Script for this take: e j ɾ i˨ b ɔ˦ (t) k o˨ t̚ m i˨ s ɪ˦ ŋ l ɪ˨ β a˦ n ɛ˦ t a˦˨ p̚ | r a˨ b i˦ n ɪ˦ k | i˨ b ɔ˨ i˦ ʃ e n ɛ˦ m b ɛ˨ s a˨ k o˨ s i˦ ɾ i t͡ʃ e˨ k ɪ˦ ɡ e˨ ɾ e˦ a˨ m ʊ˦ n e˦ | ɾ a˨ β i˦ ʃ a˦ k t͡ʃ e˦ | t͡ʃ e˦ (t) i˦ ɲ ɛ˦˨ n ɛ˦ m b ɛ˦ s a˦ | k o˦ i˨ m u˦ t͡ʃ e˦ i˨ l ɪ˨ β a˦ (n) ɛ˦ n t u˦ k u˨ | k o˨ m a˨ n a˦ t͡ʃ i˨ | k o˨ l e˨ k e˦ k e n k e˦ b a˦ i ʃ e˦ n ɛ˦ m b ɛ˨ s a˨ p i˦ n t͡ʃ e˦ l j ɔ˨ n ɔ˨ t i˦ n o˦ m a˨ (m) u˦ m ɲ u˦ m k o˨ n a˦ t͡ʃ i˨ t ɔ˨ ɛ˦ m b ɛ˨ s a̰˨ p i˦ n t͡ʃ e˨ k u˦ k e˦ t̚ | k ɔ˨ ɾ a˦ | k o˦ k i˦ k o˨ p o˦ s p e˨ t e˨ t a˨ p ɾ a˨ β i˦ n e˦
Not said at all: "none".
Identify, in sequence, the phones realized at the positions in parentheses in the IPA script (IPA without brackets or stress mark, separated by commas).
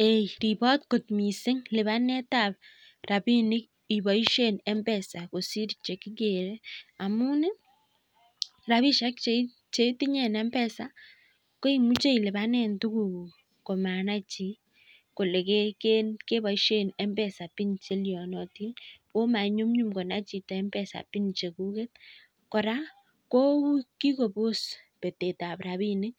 t, t, n, ɲ